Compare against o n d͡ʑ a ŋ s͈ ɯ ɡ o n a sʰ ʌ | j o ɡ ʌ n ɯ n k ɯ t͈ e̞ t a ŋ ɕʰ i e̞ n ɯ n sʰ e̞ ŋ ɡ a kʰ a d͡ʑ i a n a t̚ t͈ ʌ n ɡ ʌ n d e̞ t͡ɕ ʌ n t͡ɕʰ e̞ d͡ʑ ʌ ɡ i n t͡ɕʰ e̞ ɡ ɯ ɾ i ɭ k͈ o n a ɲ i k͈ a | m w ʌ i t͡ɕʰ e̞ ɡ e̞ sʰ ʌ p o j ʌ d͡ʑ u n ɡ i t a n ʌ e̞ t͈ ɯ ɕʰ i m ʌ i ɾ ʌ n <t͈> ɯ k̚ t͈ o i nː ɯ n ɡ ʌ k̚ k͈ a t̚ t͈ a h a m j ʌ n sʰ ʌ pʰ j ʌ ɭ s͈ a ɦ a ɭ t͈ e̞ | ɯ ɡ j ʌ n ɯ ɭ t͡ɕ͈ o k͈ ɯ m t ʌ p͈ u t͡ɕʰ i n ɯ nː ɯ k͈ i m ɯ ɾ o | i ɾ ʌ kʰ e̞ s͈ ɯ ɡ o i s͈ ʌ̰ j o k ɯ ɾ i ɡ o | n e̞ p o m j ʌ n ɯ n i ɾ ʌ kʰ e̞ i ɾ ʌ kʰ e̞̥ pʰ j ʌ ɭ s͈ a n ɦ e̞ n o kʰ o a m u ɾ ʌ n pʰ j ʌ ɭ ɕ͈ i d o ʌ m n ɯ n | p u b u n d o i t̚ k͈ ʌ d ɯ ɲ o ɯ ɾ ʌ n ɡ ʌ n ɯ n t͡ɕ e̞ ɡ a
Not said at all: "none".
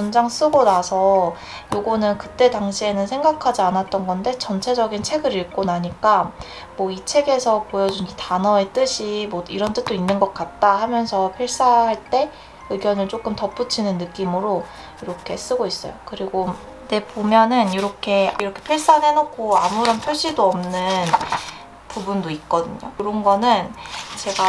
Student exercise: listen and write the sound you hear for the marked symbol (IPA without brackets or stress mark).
t͈